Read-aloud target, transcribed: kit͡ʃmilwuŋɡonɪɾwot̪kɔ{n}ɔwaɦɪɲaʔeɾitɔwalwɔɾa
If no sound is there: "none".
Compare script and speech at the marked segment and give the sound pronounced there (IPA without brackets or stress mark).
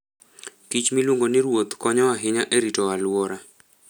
ɲ